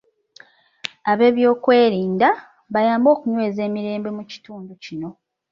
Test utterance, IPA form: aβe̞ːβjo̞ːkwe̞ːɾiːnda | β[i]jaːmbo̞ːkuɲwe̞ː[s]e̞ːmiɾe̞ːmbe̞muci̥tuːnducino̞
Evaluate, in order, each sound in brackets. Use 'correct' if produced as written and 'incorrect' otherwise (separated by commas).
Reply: incorrect, incorrect